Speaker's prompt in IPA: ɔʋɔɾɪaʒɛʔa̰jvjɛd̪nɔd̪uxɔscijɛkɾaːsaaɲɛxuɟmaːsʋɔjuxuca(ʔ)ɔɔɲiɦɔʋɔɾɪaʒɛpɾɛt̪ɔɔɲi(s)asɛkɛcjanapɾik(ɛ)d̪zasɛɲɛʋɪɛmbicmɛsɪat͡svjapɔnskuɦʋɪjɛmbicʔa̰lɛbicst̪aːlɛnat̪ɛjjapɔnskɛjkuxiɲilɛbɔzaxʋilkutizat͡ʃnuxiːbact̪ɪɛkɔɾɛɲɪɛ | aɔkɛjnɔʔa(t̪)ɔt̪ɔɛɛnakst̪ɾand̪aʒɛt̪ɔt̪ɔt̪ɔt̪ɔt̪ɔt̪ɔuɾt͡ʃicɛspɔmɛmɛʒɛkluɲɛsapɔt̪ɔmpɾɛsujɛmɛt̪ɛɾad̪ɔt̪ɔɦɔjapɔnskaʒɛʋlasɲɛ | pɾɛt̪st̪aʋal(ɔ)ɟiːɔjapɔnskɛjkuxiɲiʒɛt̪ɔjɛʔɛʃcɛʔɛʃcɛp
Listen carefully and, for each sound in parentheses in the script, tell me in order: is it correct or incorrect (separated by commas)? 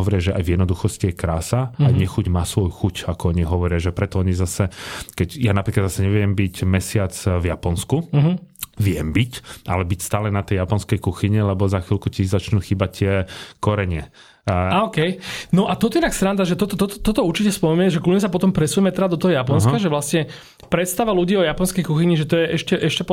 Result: incorrect, incorrect, incorrect, correct, incorrect